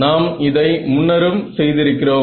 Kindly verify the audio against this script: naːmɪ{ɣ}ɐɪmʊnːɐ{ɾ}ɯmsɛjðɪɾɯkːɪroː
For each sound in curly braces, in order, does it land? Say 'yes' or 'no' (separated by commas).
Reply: no, yes